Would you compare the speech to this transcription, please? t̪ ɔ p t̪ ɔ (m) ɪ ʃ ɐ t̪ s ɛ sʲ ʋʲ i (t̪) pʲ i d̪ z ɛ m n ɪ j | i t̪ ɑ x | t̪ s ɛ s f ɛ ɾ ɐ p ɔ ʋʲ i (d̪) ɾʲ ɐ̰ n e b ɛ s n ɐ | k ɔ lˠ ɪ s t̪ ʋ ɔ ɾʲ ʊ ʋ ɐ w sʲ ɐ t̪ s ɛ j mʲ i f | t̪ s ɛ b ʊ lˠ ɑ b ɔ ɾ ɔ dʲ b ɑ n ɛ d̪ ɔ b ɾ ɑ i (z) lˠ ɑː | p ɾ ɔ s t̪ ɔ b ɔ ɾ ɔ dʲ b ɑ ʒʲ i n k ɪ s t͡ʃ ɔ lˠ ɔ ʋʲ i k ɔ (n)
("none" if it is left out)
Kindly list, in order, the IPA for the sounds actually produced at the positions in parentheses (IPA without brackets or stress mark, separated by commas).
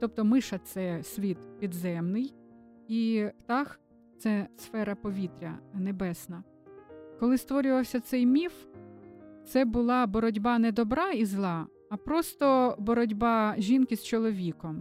m, t̪, t̪, z, m